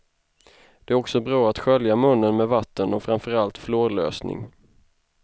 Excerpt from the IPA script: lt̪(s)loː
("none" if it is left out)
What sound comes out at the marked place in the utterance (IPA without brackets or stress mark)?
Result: f